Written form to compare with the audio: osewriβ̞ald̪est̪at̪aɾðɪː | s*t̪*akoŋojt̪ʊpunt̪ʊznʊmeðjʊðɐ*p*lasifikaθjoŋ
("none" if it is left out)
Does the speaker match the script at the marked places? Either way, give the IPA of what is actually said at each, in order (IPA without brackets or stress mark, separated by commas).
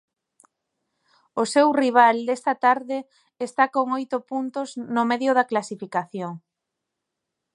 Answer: t̪, k